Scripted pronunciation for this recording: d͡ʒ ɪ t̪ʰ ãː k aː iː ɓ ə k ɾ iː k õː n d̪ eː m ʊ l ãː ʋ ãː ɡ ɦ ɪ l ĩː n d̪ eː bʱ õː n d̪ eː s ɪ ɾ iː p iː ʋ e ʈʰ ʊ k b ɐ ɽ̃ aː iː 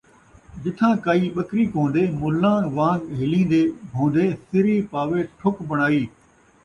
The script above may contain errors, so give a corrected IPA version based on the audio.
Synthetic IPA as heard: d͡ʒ ɪ t̪ʰ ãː k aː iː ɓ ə k ɾ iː k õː n d̪ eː m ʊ l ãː ʋ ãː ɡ ɦ ɪ l ĩː n d̪ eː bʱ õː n d̪ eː s ɪ ɾ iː p aː ʋ e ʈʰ ʊ k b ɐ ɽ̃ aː iː